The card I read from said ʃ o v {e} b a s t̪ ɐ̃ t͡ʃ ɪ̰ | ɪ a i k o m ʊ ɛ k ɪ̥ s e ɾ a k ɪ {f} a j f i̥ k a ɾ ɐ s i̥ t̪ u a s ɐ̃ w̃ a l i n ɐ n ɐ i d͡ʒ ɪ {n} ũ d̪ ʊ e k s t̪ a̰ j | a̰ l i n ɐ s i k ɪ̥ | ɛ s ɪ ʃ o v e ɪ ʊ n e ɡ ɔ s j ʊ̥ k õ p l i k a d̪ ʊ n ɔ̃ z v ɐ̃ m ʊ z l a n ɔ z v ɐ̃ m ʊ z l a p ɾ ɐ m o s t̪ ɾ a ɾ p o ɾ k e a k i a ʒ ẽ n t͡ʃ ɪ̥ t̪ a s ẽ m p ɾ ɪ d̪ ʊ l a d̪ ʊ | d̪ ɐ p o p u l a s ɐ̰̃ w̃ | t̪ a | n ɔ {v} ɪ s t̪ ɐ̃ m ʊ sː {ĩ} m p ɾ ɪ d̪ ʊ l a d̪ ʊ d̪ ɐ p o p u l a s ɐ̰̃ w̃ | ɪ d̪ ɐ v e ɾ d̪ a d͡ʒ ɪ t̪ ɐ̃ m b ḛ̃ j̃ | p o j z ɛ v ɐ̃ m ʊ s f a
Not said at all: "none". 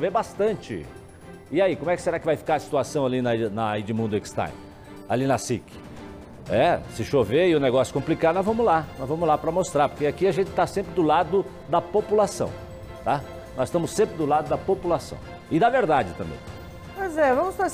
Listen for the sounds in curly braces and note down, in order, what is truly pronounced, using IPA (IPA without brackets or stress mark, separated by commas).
e, v, m, z, ẽ